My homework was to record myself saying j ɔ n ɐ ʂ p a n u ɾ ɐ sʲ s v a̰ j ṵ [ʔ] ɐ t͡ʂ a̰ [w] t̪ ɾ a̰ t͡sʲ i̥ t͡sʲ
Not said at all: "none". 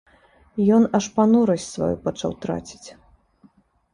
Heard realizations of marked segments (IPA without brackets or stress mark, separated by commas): p, w